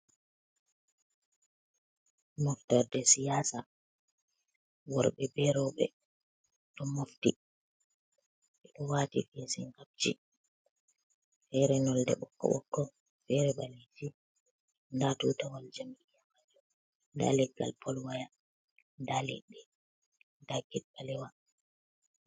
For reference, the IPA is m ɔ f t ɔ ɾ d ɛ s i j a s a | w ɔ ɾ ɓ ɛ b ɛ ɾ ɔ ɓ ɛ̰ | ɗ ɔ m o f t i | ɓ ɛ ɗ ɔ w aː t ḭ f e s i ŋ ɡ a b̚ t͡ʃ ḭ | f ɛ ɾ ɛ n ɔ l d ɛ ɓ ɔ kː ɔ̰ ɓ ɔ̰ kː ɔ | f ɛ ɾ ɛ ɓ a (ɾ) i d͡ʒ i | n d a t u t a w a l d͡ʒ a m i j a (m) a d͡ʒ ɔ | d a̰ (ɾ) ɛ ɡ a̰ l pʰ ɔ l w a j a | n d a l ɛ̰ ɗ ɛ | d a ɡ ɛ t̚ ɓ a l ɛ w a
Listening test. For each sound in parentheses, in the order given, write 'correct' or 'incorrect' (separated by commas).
incorrect, correct, incorrect